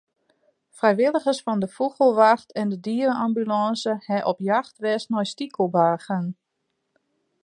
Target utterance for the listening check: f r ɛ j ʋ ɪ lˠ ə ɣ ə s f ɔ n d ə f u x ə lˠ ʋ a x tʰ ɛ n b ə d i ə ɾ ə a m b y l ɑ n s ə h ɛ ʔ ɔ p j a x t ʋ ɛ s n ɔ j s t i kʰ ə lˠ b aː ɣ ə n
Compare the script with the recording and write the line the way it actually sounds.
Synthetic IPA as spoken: f r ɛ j ʋ ɪ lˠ ə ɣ ə s f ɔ n d ə f u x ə lˠ ʋ a x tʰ ɛ n d ə d i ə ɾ ə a m b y l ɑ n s ə h ɛ ʔ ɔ p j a x t ʋ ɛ s n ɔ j s t i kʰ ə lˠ b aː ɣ ə n